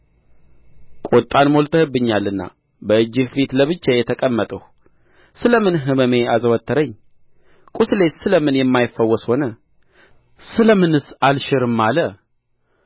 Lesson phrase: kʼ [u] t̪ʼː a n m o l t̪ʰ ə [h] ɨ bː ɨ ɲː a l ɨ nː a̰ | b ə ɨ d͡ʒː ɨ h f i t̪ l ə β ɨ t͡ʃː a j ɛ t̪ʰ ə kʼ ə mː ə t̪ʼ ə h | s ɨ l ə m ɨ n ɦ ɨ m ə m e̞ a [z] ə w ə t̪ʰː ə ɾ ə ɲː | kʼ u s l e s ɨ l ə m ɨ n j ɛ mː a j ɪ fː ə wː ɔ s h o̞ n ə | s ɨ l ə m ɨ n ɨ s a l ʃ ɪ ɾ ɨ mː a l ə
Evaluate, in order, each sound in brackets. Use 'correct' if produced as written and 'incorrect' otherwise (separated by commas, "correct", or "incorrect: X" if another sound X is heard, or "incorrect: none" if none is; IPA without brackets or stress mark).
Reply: incorrect: o, correct, correct